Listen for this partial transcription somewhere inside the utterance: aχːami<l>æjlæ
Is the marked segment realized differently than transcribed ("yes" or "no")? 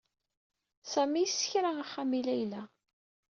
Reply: no